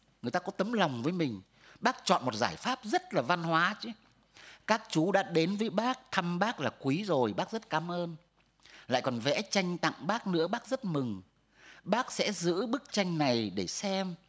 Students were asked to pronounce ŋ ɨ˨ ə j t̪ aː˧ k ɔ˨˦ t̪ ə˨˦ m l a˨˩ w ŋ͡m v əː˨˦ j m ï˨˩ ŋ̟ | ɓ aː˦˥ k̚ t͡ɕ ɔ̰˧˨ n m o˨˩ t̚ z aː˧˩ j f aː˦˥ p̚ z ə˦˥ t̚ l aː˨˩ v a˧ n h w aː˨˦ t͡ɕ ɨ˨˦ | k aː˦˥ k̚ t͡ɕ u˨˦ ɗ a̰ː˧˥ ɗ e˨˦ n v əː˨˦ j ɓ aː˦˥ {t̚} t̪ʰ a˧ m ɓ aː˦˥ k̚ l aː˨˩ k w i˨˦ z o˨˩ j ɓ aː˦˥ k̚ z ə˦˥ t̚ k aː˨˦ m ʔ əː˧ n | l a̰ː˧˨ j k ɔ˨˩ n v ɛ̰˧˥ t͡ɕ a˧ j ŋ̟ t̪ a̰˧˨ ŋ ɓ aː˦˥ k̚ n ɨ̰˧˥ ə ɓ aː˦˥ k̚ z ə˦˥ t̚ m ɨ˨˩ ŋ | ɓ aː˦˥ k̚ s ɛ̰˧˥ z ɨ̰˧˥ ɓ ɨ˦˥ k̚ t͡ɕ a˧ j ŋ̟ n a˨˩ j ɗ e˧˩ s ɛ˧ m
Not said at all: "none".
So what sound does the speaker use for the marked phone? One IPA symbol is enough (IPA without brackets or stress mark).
k̚